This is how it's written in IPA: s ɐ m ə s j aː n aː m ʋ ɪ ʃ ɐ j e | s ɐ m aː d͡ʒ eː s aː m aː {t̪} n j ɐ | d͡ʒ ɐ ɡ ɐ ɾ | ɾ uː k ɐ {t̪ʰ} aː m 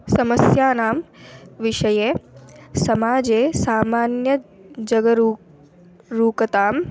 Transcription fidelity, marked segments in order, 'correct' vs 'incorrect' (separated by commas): incorrect, incorrect